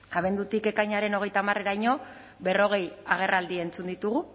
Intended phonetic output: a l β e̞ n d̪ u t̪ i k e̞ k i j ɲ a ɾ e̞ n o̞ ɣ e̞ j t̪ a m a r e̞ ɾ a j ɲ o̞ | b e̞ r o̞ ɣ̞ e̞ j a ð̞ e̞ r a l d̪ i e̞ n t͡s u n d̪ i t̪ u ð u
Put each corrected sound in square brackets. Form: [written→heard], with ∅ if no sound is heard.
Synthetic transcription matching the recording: a [l→∅] β e̞ n d̪ u t̪ i k e̞ k [i→a] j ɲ a ɾ e̞ n o̞ ɣ e̞ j t̪ a m a r e̞ ɾ a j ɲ o̞ | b e̞ r o̞ ɣ̞ e̞ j a [ð̞→ɣ̞] e̞ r a l d̪ i e̞ n t͡s u n d̪ i t̪ u [ð→ɣ] u

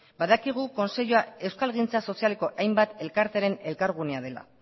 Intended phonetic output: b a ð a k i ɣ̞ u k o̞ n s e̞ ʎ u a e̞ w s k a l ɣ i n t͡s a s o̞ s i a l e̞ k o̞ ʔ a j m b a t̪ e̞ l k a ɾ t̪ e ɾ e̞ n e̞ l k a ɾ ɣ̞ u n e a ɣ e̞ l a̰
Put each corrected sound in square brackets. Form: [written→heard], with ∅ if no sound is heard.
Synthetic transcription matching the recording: b a ð a k i ɣ̞ u k o̞ n s e̞ ʎ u a e̞ w s k a l ɣ i n t͡s a s o̞ s i a l e̞ k o̞ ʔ a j m b a t̪ e̞ l k a ɾ t̪ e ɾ e̞ n e̞ l k a ɾ ɣ̞ u n e a [ɣ→ð] e̞ l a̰

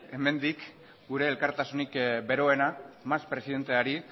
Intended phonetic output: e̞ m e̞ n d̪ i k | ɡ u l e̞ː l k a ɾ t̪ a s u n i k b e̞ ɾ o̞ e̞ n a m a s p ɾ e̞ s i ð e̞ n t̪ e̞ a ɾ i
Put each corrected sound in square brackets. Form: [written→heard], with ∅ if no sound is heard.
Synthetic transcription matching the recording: e̞ m e̞ n d̪ i k | ɡ u [l→ɾ] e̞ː l k a ɾ t̪ a s u n i k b e̞ ɾ o̞ e̞ n a m a s p ɾ e̞ s i ð e̞ n t̪ e̞ a ɾ i

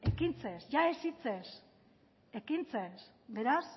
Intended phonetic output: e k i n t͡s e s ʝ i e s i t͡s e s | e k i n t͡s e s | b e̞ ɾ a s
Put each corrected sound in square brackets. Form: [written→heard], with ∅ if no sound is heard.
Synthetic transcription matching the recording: e k i n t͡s e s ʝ [i→a] e s i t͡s e s | e k i n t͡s e s | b e̞ ɾ a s

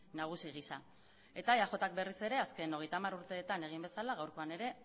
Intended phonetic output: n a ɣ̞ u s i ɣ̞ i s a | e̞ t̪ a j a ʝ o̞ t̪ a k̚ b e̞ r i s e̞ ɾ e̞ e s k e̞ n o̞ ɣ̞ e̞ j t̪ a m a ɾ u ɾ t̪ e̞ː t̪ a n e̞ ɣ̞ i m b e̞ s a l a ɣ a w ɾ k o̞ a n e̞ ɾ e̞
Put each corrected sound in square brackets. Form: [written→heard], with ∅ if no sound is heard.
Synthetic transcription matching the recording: n a ɣ̞ u s i ɣ̞ i s a | e̞ t̪ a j a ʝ o̞ t̪ a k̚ b e̞ r i s e̞ ɾ e̞ [e→a] s k e̞ n o̞ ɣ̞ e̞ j t̪ a m a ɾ u ɾ t̪ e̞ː t̪ a n e̞ ɣ̞ i m b e̞ s a l a ɣ a w ɾ k o̞ a n e̞ ɾ e̞

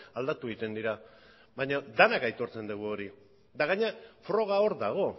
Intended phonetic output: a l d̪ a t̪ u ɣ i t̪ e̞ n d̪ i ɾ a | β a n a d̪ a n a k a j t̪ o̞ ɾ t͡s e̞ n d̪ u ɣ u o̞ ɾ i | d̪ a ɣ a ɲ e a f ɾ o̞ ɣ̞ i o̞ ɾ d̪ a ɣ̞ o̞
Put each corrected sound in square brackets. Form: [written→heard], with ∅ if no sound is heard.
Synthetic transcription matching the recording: a l d̪ a t̪ u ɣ i t̪ e̞ n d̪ i ɾ a | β a [n→ɲ] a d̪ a n a k a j t̪ o̞ ɾ t͡s e̞ n d̪ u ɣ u o̞ ɾ i | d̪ a ɣ a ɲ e a f ɾ o̞ ɣ̞ [i→a] o̞ ɾ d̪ a ɣ̞ o̞

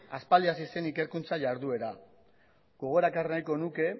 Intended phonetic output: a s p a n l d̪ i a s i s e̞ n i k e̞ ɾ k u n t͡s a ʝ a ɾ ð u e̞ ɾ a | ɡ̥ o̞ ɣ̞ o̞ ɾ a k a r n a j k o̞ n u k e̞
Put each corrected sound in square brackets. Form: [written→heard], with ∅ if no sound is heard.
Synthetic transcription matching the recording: a s p a [n→∅] l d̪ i a s i s e̞ n i k e̞ ɾ k u n t͡s a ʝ a ɾ ð u e̞ ɾ a | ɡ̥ o̞ ɣ̞ o̞ ɾ a k a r n a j k o̞ n u k e̞

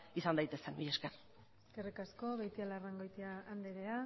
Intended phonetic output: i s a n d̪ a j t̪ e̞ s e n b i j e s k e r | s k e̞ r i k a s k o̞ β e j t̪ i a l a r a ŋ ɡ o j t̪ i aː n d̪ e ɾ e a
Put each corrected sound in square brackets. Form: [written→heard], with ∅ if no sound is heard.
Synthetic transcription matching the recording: i s a n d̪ a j t̪ e̞ s e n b i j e s k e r | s k e̞ r i k a s k o̞ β e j t̪ i a l a r a ŋ ɡ o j t̪ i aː n d̪ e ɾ e a

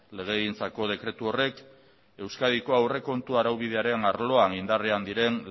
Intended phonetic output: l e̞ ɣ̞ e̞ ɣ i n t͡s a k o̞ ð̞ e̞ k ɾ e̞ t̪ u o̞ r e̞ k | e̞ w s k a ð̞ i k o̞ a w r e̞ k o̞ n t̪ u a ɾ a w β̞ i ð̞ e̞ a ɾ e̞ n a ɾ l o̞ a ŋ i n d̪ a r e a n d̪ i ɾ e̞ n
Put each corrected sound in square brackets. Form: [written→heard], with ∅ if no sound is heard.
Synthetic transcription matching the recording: l e̞ ɣ̞ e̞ ɣ i n t͡s a k o̞ ð̞ e̞ k ɾ e̞ t̪ u o̞ r e̞ k | e̞ w s k a ð̞ i k o̞ a w r e̞ k o̞ n t̪ u a ɾ a w β̞ i ð̞ e̞ a ɾ e̞ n a ɾ l o̞ a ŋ i n d̪ a r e a n d̪ i ɾ e̞ n

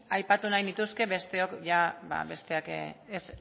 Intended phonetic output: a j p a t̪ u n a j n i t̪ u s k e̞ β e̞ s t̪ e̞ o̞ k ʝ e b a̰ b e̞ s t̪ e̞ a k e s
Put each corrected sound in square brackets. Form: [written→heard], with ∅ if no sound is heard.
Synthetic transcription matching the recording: a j p a t̪ u n a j n i t̪ u s k e̞ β e̞ s t̪ e̞ o̞ k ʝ [e→a] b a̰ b e̞ s t̪ e̞ a k e s

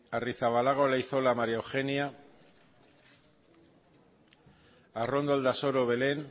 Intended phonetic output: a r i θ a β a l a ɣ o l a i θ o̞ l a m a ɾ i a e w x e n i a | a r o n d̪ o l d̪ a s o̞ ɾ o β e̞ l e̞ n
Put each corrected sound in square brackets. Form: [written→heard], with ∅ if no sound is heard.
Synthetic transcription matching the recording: a r i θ a β a l a ɣ o l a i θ o̞ l a m a ɾ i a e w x e n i a | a r o n d̪ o l d̪ a s o̞ ɾ o β e̞ l e̞ n

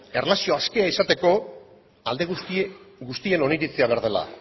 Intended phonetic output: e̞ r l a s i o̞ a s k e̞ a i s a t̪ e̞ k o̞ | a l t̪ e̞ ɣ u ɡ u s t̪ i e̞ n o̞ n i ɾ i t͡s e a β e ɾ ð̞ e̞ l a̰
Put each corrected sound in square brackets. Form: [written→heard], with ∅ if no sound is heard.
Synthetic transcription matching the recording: e̞ r l a s i o̞ a s k e̞ a i s a t̪ e̞ k o̞ | a l [t̪→d̪] e̞ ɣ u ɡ u s t̪ i e̞ n o̞ n i ɾ i t͡s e a β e ɾ ð̞ e̞ l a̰

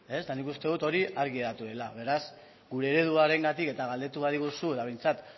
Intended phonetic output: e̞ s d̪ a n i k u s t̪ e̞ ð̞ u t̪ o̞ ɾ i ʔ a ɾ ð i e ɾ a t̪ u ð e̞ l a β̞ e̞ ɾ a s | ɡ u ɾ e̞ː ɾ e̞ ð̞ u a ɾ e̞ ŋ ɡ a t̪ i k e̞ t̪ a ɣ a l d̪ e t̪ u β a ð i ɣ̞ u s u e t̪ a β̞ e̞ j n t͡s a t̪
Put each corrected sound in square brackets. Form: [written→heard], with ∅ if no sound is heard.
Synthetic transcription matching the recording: e̞ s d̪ a n i k u s t̪ e̞ ð̞ u t̪ o̞ ɾ i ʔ a ɾ [ð→ɣ] i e ɾ a t̪ u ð e̞ l a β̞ e̞ ɾ a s | ɡ u ɾ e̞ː ɾ e̞ ð̞ u a ɾ e̞ ŋ ɡ a t̪ i k e̞ t̪ a ɣ a l d̪ e t̪ u β a ð i ɣ̞ u s u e t̪ a β̞ e̞ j n t͡s a t̪

